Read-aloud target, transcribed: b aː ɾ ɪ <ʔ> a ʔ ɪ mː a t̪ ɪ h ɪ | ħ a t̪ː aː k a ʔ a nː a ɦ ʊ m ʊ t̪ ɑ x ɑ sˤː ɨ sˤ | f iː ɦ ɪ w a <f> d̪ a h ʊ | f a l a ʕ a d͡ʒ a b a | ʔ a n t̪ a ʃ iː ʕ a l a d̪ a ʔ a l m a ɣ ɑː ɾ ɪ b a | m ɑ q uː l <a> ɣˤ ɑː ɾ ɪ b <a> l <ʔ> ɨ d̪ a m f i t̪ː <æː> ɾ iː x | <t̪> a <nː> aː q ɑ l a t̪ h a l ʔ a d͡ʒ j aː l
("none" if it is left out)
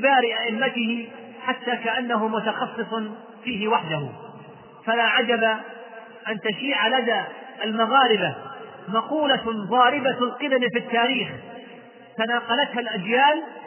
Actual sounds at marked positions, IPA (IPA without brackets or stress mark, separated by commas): ʔ, ħ, a, a, q, aː, t̪, n